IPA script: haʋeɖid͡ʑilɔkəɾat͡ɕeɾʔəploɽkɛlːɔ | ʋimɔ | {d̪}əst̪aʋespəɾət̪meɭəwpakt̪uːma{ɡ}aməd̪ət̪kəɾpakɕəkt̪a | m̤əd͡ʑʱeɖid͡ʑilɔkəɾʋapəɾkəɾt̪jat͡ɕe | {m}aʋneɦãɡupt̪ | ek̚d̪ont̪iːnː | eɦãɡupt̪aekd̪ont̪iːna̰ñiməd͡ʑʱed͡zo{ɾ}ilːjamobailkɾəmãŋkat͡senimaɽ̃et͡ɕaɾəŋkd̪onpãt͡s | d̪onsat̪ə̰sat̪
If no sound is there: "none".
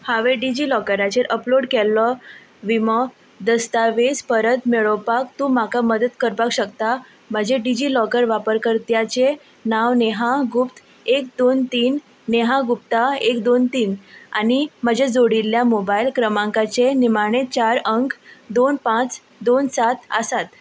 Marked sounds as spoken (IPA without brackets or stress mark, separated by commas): d̪, k, n, ɽ